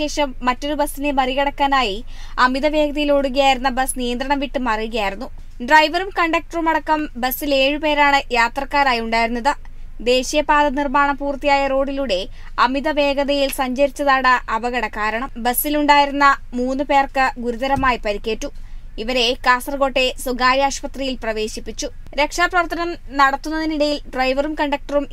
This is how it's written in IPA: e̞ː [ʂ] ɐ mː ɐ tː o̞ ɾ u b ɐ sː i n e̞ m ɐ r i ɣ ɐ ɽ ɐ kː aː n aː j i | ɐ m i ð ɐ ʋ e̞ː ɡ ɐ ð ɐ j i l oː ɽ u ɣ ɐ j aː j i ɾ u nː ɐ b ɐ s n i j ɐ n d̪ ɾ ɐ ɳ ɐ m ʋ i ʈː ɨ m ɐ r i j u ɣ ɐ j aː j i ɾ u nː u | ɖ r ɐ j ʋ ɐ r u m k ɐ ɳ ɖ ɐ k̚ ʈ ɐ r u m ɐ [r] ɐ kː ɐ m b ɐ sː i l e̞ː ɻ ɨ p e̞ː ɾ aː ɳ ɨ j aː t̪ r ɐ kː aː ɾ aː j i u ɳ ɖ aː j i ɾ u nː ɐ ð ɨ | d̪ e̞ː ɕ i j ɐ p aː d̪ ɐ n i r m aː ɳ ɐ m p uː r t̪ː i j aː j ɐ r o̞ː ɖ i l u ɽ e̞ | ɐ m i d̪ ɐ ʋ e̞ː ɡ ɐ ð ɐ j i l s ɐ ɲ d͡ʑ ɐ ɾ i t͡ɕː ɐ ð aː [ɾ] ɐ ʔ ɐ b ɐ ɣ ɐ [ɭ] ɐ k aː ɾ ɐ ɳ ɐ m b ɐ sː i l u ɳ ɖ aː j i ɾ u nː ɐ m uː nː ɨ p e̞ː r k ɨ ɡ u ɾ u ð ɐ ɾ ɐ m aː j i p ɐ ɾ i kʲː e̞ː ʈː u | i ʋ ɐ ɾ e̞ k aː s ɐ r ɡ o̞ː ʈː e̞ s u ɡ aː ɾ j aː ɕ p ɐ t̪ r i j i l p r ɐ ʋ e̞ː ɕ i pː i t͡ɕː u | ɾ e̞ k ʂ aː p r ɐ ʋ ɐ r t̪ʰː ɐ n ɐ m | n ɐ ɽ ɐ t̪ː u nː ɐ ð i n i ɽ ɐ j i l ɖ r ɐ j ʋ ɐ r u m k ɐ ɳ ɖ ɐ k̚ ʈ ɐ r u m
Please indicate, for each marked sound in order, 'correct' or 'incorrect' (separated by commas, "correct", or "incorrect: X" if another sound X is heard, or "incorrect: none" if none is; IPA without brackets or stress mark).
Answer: correct, incorrect: ɽ, incorrect: ɽ, incorrect: ɽ